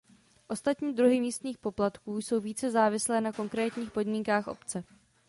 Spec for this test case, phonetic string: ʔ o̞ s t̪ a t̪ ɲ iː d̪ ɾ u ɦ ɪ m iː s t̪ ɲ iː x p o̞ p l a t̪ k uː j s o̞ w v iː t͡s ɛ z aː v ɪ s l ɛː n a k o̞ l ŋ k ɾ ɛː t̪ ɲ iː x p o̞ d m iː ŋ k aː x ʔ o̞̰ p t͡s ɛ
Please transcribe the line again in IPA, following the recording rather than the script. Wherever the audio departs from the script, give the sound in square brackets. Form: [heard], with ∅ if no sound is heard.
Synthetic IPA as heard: ʔ o̞ s t̪ a t̪ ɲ iː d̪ ɾ u ɦ ɪ m iː s t̪ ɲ iː x p o̞ p l a t̪ k uː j s o̞ w v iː t͡s ɛ z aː v ɪ s l ɛː n a k o̞ [∅] ŋ k ɾ ɛː t̪ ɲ iː x p o̞ d m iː ŋ k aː x ʔ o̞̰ p t͡s ɛ